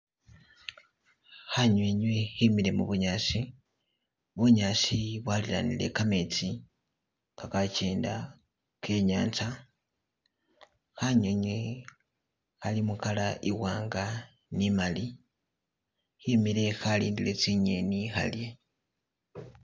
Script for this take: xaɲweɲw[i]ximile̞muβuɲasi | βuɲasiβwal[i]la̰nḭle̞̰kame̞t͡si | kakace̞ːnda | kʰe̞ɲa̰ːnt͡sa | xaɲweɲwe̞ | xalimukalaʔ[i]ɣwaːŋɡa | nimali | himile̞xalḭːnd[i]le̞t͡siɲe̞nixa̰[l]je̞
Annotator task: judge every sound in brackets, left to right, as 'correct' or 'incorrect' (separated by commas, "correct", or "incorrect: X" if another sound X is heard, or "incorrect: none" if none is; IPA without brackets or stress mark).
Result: incorrect: e, correct, correct, correct, correct